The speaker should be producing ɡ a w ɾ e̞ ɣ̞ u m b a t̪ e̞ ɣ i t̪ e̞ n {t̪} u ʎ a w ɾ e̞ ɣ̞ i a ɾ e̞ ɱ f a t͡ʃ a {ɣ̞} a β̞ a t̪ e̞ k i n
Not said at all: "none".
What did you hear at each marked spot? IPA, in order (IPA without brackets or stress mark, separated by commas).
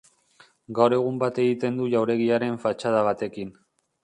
d̪, ð̞